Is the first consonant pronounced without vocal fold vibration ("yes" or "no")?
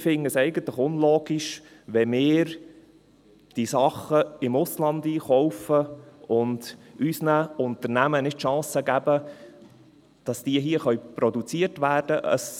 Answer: yes